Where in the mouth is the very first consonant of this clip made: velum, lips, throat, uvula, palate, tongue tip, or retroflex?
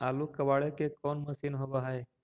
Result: tongue tip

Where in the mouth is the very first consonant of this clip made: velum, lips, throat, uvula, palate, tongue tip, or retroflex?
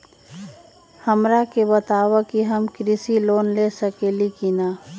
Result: throat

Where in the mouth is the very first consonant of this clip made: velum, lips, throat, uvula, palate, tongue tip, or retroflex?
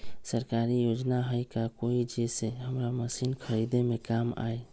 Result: tongue tip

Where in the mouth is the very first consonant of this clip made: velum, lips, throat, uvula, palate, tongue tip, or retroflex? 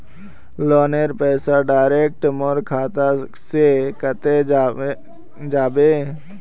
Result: tongue tip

